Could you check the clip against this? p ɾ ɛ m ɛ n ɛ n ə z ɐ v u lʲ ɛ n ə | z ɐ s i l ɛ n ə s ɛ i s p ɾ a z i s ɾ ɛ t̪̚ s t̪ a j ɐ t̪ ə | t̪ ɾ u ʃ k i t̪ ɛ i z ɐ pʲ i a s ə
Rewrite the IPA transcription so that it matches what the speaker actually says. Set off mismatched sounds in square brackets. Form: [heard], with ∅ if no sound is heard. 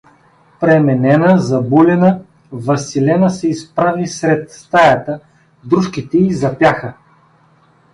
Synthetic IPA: p ɾ ɛ m ɛ n ɛ n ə z ɐ [b] u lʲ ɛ n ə | [v] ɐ s i l ɛ n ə s ɛ i s p ɾ a [v] i s ɾ ɛ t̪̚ s t̪ a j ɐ t̪ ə | [d̪] ɾ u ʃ k i t̪ ɛ i z ɐ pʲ [j] a [x] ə